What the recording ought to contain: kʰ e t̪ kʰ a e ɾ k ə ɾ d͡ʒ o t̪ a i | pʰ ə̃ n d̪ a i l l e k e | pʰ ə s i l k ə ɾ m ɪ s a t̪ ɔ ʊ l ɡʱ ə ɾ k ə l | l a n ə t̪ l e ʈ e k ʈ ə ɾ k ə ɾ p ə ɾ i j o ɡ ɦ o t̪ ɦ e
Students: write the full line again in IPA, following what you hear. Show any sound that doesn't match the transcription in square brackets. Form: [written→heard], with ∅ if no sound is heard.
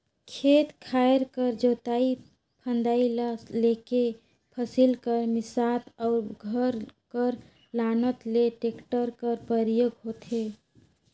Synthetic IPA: kʰ e t̪ kʰ a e ɾ k ə ɾ d͡ʒ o t̪ a i | pʰ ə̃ n d̪ a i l l e k e | pʰ ə s i l k ə ɾ m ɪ s a t̪ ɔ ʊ [l→ɾ] ɡʱ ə ɾ k ə [l→ɾ] | l a n ə t̪ l e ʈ e k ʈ ə ɾ k ə ɾ p ə ɾ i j o ɡ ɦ o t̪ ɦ e